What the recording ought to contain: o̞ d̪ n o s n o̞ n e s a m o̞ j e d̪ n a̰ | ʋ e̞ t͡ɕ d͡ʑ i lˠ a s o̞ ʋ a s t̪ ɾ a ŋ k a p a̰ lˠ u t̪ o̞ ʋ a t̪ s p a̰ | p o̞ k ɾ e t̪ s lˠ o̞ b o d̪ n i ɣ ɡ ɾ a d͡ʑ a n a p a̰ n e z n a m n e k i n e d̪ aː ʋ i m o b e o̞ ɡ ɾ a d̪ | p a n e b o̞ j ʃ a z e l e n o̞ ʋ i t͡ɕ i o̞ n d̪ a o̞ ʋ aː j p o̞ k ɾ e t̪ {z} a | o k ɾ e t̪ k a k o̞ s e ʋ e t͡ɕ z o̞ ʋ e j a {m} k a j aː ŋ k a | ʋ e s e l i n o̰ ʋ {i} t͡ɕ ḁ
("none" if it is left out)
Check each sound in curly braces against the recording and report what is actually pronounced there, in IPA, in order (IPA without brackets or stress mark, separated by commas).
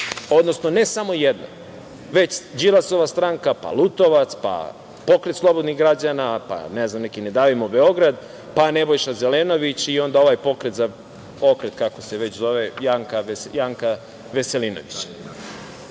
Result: z, ŋ, i